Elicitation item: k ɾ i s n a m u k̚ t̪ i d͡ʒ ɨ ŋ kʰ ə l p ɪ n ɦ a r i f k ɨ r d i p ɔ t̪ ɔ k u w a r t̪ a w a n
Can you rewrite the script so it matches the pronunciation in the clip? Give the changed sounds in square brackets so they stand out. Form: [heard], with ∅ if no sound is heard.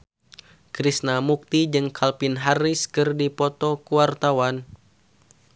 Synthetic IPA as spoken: k ɾ i s n a m u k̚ t̪ i d͡ʒ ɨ ŋ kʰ [a] l p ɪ n ɦ a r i [s] k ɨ r d i p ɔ t̪ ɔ k u w a r t̪ a w a n